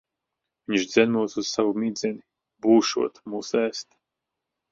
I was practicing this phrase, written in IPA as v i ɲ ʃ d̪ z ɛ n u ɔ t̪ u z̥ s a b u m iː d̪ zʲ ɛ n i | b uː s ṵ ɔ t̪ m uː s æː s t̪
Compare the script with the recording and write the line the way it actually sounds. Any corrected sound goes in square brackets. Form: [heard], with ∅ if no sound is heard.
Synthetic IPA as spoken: v i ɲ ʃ d̪ z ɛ n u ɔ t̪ u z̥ s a [v] u m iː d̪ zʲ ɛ n i | b uː [ʃ] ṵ ɔ t̪ m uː s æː s t̪

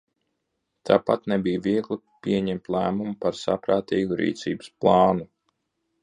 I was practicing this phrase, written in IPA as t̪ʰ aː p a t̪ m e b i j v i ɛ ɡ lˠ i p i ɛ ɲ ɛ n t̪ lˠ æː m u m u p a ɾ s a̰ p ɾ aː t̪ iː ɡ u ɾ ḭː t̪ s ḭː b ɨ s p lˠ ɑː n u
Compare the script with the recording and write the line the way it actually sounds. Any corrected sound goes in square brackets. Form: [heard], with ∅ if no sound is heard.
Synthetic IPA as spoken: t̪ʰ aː p a t̪ [n] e b i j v i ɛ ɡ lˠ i p i ɛ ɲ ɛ [m] t̪ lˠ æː m u m u p a ɾ s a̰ p ɾ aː t̪ iː ɡ u ɾ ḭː t̪ s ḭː b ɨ s p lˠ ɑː n u

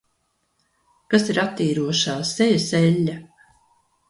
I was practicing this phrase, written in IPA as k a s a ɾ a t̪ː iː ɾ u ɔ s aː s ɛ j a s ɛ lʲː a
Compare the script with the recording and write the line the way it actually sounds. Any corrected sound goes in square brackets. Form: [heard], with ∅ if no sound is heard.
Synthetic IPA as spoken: k a s [i] ɾ a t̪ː iː ɾ u ɔ [ʃ] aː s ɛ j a s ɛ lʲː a

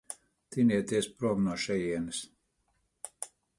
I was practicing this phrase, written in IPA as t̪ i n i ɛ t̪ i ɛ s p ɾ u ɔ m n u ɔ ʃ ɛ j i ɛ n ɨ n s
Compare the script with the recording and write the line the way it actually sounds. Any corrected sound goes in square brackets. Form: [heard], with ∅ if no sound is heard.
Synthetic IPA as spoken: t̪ i n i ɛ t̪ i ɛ s p ɾ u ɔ m n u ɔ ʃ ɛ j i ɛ n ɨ [∅] s

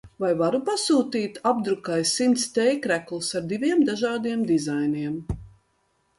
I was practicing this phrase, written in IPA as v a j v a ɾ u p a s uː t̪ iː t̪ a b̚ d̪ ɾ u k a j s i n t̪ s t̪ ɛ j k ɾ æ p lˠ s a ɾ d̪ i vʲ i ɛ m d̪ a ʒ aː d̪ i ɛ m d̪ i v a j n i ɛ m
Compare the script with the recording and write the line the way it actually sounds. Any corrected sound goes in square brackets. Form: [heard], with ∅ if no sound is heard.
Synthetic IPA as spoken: v a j v a ɾ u p a s uː t̪ iː t̪ a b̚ d̪ ɾ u k a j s i n t̪ s t̪ ɛ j k ɾ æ [k] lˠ s a ɾ d̪ i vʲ i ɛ m d̪ a ʒ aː d̪ i ɛ m d̪ i [z] a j n i ɛ m

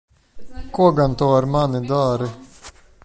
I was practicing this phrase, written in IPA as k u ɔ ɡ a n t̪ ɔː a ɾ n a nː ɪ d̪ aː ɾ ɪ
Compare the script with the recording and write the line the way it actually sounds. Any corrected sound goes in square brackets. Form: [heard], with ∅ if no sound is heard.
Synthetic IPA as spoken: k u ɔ ɡ a n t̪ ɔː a ɾ [m] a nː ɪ d̪ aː ɾ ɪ

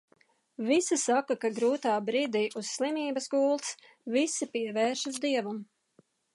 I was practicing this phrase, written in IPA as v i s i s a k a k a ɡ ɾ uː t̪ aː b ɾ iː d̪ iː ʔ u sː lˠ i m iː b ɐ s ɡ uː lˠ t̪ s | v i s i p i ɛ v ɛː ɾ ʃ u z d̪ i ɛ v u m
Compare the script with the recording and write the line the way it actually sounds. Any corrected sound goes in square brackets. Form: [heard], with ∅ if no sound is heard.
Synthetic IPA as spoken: v i s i s a k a k a ɡ ɾ uː t̪ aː b ɾ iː d̪ iː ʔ u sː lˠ i m iː b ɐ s ɡ uː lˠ t̪ s | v i s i p i ɛ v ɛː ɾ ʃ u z d̪ i ɛ v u m

